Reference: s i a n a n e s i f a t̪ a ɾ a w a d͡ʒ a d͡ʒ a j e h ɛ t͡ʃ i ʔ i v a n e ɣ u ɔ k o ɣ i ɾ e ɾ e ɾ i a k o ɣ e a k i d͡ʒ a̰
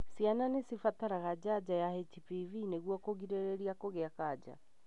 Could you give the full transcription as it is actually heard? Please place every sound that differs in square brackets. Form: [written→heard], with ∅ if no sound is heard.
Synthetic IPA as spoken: s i a n a n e s i f a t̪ a ɾ a [w→ɣ] a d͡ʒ a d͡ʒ a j [e→a] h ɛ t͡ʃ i [ʔ→p] i v [a→i] n e ɣ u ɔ k o ɣ i ɾ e ɾ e ɾ i a k o ɣ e a k [i→a] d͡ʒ a̰